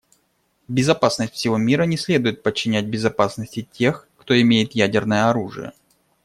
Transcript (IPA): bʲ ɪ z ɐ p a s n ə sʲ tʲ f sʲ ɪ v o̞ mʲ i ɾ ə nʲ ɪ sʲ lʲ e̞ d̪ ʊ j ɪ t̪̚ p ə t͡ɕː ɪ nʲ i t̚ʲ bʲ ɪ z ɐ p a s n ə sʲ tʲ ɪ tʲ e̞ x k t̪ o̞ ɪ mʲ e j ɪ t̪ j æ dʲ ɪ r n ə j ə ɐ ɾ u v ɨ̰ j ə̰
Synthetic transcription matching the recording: bʲ ɪ z ɐ p a s n ə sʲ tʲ f sʲ ɪ v o̞ mʲ i ɾ ə nʲ ɪ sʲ lʲ e̞ d̪ ʊ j ɪ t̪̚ p ə t͡ɕː ɪ nʲ æ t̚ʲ bʲ ɪ z ɐ p a s n ə sʲ tʲ ɪ tʲ e̞ x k t̪ o̞ ɪ mʲ e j ɪ t̪ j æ dʲ ɪ r n ə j ə ɐ ɾ u ʐ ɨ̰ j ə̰

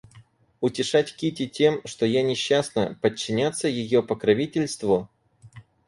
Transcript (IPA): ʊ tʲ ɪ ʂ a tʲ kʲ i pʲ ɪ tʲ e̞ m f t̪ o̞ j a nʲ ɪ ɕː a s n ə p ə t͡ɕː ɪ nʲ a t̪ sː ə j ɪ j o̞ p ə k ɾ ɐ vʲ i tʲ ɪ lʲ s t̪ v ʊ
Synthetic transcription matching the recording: ʊ tʲ ɪ ʂ a tʲ kʲ i tʲ ɪ tʲ e̞ m ʂ t̪ o̞ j a nʲ ɪ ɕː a s n ə p ə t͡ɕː ɪ nʲ a t̪ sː ə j ɪ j o̞ p ə k ɾ ɐ vʲ i tʲ ɪ lʲ s t̪ v ʊ

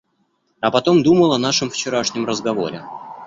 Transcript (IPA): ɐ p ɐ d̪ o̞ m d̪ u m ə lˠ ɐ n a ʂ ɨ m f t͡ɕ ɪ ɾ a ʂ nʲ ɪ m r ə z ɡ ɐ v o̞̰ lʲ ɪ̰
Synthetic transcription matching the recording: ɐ p ɐ t̪ o̞ m d̪ u m ə lˠ ɐ n a ʂ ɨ m f t͡ɕ ɪ ɾ a ʂ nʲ ɪ m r ə z ɡ ɐ v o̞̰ ɾʲ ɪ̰

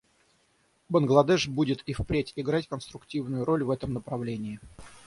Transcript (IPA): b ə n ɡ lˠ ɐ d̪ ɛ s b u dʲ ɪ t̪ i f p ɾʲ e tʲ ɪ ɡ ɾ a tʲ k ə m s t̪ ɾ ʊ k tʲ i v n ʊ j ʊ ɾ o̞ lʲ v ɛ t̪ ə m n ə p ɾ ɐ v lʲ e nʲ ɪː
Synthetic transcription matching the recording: b ə n ɡ lˠ ɐ d̪ ɛ ʂ b u dʲ ɪ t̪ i f p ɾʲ e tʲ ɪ ɡ ɾ a tʲ k ə n s t̪ ɾ ʊ k tʲ i v n ʊ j ʊ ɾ o̞ lʲ v ɛ t̪ ə m n ə p ɾ ɐ v lʲ e nʲ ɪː

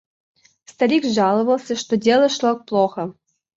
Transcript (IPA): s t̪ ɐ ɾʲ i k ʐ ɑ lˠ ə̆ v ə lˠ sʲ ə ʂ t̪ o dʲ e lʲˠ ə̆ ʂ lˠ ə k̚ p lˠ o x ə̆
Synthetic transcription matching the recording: s t̪ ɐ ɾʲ i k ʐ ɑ lˠ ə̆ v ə lˠ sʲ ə ʂ t̪ o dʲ e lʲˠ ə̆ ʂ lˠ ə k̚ p lˠ o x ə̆

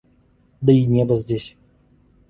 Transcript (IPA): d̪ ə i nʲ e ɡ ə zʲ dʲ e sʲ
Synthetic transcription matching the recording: d̪ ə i nʲ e b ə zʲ dʲ e sʲ

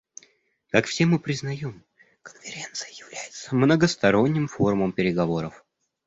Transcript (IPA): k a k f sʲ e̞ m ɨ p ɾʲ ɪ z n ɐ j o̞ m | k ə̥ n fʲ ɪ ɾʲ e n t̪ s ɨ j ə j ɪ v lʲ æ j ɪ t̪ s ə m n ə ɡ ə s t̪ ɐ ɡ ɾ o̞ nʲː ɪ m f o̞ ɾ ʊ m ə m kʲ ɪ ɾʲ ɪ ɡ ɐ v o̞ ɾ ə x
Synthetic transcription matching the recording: k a k f sʲ e̞ m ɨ p ɾʲ ɪ z n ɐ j o̞ m | k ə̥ n fʲ ɪ ɾʲ e n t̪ s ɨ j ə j ɪ v lʲ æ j ɪ t̪ s ə m n ə ɡ ə s t̪ ɐ ɾ o̞ nʲː ɪ m f o̞ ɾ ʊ m ə m pʲ ɪ ɾʲ ɪ ɡ ɐ v o̞ ɾ ə f

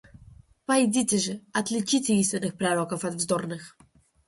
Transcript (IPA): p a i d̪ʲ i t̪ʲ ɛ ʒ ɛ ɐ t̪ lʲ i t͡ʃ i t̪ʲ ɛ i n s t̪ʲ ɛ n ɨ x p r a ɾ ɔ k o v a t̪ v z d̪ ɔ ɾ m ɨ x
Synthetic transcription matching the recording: p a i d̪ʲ i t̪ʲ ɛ ʒ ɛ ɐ t̪ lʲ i t͡ʃ i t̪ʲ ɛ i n s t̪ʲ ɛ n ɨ x p ɾ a ɾ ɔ k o f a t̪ v z d̪ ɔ ɾ n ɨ x

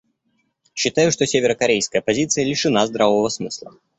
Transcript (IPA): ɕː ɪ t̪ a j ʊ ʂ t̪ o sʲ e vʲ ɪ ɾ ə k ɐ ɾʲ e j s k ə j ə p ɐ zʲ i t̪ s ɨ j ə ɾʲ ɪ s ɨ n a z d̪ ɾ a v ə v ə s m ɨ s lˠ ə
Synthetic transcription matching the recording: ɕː ɪ t̪ a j ʊ ʂ t̪ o sʲ e vʲ ɪ ɾ ə k ɐ ɾʲ e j s k ə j ə p ɐ zʲ i t̪ s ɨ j ə lʲ ɪ ʂ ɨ n a z d̪ ɾ a v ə v ə s m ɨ s lˠ ə

